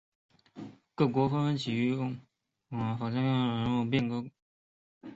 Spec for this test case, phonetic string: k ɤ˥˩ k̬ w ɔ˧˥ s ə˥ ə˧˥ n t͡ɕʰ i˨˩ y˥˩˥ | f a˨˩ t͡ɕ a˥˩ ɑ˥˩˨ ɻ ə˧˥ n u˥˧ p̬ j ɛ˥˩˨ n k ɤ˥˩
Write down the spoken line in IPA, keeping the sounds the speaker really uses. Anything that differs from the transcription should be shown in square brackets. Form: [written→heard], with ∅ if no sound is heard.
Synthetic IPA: k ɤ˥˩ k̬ w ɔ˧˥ [s→f] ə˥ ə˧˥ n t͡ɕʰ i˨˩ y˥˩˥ | f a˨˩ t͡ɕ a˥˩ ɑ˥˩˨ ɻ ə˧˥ n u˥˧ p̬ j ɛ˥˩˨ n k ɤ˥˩